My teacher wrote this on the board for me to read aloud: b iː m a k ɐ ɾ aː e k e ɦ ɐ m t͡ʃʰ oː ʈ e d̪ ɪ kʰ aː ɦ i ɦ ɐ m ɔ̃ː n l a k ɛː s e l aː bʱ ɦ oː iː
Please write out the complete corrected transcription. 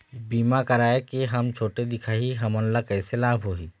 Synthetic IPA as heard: b iː m a k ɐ ɾ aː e k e ɦ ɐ m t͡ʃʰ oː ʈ e d̪ ɪ kʰ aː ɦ i ɦ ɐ m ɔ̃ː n l a k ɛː s e l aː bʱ ɦ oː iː